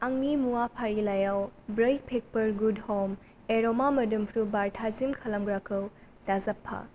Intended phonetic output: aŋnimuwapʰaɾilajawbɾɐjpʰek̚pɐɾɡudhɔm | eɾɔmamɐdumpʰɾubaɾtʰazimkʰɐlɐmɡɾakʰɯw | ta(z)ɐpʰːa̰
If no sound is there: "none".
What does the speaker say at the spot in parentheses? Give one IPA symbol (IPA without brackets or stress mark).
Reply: z